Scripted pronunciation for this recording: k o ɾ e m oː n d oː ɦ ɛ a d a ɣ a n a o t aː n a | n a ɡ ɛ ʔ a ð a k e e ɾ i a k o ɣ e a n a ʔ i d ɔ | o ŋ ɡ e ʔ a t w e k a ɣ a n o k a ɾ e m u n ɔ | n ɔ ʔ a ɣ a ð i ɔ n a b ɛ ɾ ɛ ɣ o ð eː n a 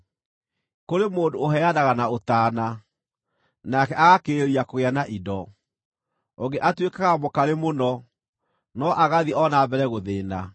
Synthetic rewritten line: k o ɾ e m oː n d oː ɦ ɛ a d a ɣ a n a o t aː n a | n a k ɛ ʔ a ɣ a k e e ɾ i a k o ɣ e a n a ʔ i d ɔ | o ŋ ɡ e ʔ a t w e k a ɣ a m o k a ɾ e m o n ɔ | n ɔ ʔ a ɣ a ð i ɔ n a b ɛ ɾ ɛ ɣ o ð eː n a